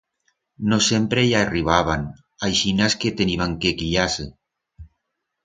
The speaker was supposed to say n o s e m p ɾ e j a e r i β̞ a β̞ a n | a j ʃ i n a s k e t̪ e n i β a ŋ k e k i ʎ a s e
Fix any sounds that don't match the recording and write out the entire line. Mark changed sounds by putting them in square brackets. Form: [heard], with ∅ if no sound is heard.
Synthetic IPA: n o s e m p ɾ e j a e r i β̞ a β̞ a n | a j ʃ i n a s k e t̪ e n i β a ŋ k e k i ʎ a s e